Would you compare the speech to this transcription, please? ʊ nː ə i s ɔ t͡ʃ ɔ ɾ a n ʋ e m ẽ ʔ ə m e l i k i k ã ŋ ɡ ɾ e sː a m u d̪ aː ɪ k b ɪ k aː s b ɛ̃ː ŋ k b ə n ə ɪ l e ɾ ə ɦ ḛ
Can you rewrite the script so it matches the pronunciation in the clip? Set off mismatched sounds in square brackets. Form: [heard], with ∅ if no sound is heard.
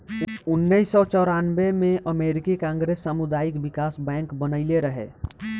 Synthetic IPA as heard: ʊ nː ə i s ɔ t͡ʃ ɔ ɾ a n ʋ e m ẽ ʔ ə m e [ɾ] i k i k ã ŋ ɡ ɾ e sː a m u d̪ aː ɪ k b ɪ k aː s b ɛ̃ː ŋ k b ə n ə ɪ l e ɾ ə ɦ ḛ